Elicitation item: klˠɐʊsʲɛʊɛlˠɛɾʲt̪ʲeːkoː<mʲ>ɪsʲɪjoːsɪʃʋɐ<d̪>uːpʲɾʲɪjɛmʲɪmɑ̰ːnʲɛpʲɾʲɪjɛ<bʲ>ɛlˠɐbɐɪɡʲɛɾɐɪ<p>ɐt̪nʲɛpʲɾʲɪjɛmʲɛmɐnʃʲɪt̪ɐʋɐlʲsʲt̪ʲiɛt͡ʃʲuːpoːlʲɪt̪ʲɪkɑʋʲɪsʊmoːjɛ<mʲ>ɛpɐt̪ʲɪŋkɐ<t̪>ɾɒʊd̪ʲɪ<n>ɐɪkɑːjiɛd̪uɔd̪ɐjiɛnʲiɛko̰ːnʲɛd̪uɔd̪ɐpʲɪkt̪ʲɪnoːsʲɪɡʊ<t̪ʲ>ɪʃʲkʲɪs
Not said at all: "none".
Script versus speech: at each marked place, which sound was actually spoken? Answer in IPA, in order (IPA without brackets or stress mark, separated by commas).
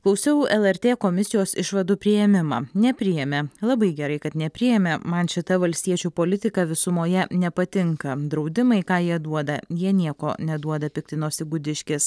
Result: mʲ, d̪, mʲ, k, nʲ, d̪, m, d̪ʲ